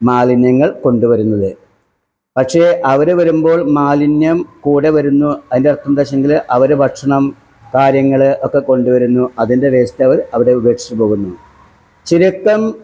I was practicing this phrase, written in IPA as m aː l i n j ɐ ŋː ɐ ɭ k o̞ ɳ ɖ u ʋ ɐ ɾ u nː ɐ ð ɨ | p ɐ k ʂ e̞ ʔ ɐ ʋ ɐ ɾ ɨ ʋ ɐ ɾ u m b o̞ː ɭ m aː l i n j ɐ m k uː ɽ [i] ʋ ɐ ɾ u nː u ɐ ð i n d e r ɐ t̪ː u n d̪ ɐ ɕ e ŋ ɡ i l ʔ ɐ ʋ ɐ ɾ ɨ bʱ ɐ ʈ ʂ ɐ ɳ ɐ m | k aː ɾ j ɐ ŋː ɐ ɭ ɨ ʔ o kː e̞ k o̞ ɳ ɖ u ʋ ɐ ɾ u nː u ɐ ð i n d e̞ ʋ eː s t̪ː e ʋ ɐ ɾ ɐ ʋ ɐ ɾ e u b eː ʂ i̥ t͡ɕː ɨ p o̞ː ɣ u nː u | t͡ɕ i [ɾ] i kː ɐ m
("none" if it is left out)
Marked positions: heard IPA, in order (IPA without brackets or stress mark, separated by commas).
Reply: e, ɾ